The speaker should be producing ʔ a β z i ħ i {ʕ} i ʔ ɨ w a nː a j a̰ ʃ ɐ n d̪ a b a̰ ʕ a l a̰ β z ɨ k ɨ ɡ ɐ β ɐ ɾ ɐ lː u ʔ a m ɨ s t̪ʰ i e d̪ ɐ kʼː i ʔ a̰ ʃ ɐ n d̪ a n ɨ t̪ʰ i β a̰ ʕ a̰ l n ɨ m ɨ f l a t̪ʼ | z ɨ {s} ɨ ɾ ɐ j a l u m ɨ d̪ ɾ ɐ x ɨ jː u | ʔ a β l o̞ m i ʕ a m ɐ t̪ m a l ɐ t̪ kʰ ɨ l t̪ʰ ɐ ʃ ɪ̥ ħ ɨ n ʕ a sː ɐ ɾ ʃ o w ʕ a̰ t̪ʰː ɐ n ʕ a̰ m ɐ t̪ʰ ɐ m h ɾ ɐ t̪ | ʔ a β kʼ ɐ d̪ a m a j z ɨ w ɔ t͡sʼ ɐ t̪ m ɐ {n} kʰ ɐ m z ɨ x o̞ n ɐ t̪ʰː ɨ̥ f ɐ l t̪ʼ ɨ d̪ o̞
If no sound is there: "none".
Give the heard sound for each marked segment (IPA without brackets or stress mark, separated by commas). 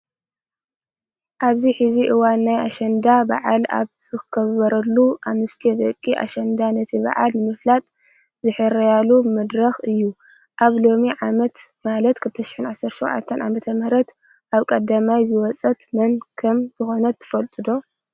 z, ħ, n